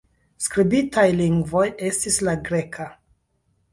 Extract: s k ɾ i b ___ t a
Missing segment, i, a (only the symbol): i